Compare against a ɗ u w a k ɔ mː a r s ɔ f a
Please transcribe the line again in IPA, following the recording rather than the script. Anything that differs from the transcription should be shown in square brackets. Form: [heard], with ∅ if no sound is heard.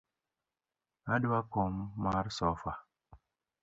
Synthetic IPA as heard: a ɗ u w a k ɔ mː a [ɾ] s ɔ f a